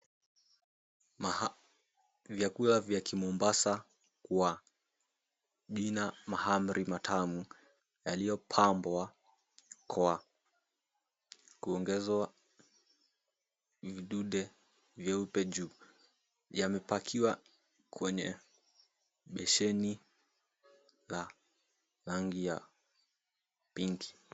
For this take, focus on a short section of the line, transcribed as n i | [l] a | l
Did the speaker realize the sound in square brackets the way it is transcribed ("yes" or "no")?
yes